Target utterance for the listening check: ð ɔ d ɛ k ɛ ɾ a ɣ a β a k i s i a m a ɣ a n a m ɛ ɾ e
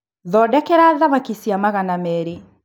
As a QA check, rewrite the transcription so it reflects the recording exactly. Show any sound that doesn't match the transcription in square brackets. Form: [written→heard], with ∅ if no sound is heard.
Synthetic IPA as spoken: ð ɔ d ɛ k ɛ ɾ a [ɣ→ð] a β a k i s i a m a ɣ a n a m ɛ ɾ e